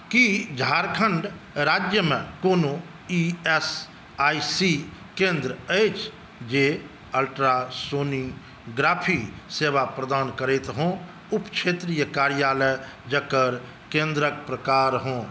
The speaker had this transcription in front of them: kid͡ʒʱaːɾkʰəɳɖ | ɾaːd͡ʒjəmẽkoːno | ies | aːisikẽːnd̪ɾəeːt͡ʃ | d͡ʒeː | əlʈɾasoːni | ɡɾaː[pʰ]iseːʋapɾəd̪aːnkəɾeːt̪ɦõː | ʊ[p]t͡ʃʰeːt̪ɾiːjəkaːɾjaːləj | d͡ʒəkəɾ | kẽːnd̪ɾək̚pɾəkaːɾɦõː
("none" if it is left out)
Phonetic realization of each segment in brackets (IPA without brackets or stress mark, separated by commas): pʰ, p